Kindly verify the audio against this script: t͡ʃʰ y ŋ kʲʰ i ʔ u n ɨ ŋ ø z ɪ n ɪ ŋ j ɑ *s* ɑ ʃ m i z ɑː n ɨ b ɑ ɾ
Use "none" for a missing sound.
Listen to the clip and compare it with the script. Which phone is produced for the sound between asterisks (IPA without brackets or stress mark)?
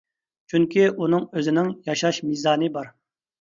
ʃ